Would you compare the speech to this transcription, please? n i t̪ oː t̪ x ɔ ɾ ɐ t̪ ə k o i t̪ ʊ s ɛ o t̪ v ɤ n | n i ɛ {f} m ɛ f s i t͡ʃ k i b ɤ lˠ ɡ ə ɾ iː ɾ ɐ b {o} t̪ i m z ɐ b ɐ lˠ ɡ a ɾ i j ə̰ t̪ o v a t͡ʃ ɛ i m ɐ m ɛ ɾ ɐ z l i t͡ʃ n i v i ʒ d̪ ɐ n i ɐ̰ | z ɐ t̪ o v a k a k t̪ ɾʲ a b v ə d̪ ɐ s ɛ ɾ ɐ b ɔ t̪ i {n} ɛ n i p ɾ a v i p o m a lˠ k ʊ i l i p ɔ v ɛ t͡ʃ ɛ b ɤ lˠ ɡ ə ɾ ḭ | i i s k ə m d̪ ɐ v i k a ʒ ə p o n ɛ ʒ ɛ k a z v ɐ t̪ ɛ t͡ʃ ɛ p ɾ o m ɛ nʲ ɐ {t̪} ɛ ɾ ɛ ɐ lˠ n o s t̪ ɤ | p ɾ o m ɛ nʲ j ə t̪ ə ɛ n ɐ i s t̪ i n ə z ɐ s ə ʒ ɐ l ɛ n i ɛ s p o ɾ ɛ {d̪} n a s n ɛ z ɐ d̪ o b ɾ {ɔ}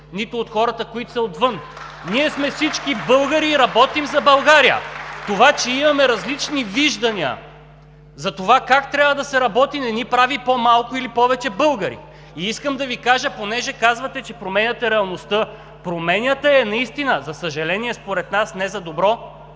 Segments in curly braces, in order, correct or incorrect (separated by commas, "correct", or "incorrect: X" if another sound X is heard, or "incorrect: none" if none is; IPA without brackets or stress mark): incorrect: s, incorrect: ɔ, correct, correct, incorrect: t̪, correct